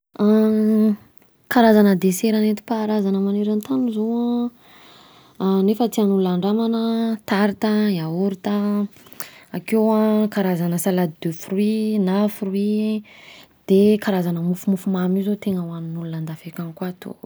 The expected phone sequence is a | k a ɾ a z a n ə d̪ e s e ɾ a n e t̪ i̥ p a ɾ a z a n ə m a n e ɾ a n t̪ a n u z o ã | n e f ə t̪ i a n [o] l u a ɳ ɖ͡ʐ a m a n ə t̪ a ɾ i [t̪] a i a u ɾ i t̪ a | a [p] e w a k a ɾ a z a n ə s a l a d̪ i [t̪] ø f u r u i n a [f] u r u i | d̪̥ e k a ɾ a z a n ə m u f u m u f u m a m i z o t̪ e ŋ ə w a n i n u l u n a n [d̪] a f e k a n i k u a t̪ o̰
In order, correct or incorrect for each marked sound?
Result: incorrect, correct, incorrect, incorrect, correct, correct

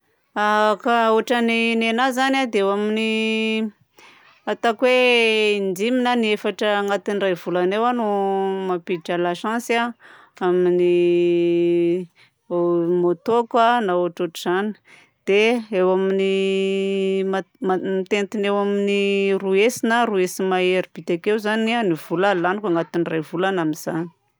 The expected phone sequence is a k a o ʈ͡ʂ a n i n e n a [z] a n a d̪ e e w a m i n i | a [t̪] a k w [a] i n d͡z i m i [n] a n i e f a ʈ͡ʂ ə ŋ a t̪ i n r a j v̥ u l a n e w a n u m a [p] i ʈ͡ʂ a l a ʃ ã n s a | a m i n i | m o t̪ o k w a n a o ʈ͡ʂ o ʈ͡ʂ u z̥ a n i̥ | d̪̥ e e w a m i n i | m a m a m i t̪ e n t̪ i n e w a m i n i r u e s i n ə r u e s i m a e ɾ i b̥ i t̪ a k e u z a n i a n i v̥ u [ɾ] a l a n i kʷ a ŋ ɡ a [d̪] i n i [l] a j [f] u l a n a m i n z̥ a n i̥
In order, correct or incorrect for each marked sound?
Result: correct, correct, incorrect, correct, correct, incorrect, incorrect, incorrect, incorrect

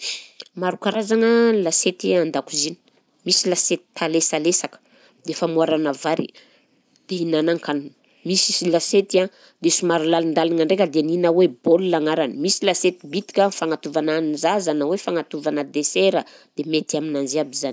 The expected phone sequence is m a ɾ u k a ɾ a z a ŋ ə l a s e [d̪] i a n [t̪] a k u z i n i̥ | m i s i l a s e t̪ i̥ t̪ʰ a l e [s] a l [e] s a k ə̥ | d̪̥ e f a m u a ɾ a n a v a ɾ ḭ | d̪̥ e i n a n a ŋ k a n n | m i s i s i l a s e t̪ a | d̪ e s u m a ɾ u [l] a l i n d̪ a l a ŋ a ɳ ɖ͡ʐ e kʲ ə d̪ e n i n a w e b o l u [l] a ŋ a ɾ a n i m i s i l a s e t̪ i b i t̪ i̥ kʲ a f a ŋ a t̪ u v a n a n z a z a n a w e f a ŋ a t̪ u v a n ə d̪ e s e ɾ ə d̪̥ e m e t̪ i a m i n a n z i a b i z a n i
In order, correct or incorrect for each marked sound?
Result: incorrect, incorrect, correct, correct, correct, correct

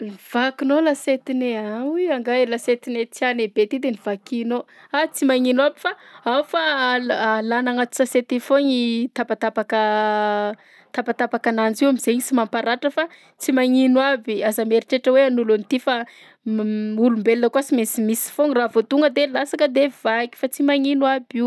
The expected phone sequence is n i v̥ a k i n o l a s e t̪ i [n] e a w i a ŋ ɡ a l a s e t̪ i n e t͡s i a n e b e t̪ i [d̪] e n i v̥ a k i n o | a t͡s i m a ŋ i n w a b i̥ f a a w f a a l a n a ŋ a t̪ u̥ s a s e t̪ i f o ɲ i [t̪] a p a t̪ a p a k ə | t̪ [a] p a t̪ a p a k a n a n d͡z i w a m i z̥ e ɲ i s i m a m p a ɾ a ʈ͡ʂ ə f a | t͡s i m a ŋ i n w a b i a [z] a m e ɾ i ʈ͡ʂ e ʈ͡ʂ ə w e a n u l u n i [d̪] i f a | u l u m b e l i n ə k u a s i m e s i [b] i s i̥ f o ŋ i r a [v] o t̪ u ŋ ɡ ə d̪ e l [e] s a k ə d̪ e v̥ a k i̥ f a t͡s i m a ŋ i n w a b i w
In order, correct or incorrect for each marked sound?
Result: correct, correct, correct, correct, correct, incorrect, incorrect, correct, incorrect

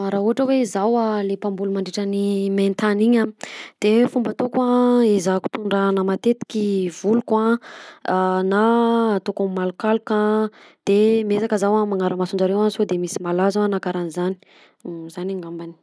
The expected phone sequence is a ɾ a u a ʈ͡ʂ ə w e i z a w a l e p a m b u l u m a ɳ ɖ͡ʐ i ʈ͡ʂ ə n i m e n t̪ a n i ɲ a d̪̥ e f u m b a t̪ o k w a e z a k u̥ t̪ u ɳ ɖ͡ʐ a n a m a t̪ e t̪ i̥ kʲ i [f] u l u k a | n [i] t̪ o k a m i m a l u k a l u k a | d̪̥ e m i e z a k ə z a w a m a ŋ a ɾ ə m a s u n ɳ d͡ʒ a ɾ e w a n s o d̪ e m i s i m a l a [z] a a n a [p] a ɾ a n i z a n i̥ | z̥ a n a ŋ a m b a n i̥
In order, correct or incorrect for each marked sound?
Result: incorrect, incorrect, correct, incorrect

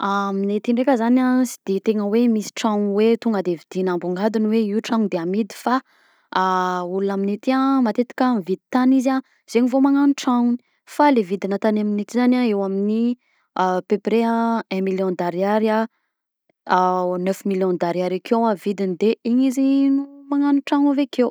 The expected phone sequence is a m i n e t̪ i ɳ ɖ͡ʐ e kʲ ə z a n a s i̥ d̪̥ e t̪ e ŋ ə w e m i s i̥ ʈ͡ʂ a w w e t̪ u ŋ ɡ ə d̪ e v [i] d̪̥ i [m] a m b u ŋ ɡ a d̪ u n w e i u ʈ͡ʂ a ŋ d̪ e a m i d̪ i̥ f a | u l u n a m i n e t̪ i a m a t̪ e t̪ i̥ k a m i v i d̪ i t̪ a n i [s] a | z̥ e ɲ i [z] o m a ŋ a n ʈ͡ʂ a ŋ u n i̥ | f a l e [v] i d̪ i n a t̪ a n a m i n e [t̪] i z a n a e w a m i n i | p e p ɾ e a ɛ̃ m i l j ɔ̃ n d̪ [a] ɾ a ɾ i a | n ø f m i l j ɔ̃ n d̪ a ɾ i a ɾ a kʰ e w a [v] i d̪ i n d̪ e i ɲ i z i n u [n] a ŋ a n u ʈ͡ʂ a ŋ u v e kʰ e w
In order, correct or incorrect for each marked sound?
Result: correct, incorrect, incorrect, incorrect, correct, correct, correct, correct, incorrect

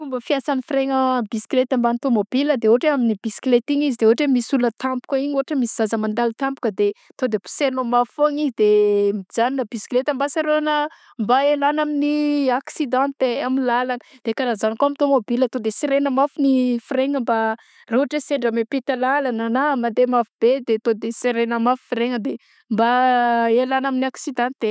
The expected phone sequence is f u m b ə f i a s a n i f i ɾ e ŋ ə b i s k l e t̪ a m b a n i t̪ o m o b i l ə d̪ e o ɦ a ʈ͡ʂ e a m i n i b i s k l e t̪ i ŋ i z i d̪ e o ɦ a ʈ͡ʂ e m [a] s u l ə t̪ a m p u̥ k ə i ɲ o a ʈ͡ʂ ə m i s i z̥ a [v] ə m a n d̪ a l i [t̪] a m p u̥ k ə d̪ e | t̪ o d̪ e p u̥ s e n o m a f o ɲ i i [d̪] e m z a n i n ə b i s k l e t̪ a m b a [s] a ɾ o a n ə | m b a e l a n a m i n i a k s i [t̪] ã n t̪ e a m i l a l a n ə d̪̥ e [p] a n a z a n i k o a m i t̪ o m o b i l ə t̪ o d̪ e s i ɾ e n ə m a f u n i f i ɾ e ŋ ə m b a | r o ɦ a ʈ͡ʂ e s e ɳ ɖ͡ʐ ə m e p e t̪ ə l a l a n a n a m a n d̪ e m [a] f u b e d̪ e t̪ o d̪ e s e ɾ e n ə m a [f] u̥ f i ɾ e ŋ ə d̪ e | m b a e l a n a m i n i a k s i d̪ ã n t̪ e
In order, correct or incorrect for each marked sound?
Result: incorrect, incorrect, correct, correct, correct, incorrect, incorrect, correct, correct

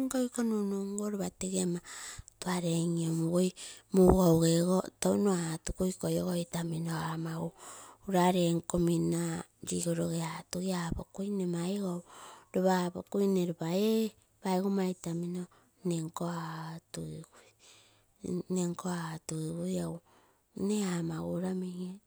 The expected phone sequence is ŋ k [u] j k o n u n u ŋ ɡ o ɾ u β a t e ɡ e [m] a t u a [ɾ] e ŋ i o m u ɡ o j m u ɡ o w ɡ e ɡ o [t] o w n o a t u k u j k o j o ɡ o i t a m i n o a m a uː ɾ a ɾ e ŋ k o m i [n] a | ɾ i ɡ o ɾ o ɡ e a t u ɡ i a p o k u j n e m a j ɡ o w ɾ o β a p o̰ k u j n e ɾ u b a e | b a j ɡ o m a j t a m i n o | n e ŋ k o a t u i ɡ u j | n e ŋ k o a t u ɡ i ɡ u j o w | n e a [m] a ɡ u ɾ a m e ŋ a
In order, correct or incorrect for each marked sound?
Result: incorrect, correct, correct, correct, correct, correct

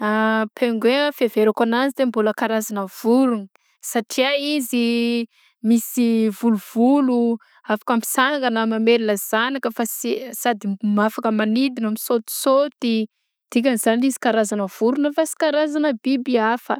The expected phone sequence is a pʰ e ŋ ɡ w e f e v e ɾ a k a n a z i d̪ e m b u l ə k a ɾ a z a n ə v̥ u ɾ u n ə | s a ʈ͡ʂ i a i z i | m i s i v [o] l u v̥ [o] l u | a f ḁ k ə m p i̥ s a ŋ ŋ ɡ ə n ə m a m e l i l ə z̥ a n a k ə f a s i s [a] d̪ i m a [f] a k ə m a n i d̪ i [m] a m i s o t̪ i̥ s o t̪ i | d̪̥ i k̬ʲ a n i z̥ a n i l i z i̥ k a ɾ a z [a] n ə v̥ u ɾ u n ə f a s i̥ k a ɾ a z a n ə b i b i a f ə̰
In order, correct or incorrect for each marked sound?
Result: incorrect, incorrect, correct, correct, incorrect, correct

